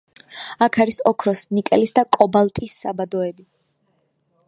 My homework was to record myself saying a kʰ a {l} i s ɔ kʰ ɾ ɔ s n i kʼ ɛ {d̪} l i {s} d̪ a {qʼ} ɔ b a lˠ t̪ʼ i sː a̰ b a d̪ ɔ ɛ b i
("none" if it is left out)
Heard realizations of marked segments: ɾ, none, s, kʼ

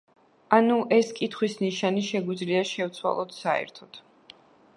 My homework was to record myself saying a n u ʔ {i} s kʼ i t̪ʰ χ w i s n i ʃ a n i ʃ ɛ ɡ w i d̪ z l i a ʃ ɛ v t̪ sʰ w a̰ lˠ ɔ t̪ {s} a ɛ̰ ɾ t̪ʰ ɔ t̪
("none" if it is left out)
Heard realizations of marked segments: ɛ, s

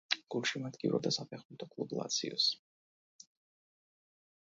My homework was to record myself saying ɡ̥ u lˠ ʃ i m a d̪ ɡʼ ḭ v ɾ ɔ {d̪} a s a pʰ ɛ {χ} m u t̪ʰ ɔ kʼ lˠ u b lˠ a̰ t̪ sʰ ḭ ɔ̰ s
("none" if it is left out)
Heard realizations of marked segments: d̪, χ

